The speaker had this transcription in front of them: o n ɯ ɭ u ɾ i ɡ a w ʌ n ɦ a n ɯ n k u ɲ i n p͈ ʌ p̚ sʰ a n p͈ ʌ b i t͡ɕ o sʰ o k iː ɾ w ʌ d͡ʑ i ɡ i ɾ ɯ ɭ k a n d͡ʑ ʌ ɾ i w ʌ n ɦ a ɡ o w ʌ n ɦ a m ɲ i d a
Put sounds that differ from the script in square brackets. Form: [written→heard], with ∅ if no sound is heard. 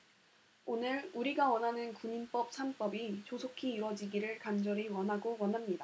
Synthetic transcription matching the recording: o n ɯ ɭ u ɾ i ɡ a w ʌ n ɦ a n ɯ n k u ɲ i n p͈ ʌ p̚ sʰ a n p͈ ʌ b i t͡ɕ o sʰ o [k→kʰ] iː ɾ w ʌ d͡ʑ i ɡ i ɾ ɯ ɭ k a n d͡ʑ ʌ ɾ i w ʌ n ɦ a ɡ o w ʌ n ɦ a m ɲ i d a